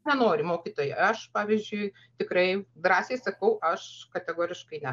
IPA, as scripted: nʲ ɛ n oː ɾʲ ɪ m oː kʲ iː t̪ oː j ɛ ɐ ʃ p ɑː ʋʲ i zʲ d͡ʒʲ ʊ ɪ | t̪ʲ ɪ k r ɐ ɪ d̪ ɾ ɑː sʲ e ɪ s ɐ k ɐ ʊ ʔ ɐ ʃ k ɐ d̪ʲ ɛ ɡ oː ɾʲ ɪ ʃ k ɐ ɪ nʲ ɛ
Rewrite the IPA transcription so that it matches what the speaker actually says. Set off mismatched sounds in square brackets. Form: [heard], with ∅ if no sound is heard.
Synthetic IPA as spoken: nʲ ɛ n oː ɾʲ ɪ m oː kʲ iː t̪ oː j ɛ ɐ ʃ p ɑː ʋʲ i zʲ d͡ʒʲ ʊ ɪ | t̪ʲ ɪ k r ɐ ɪ d̪ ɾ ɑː sʲ e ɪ s ɐ k ɐ ʊ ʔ ɐ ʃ k ɐ [t̪ʲ] ɛ ɡ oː ɾʲ ɪ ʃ k ɐ ɪ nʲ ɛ